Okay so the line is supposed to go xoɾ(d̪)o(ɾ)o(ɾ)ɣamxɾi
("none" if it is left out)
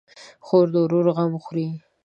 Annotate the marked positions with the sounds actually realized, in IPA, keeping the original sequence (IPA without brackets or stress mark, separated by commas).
d̪, ɾ, ɾ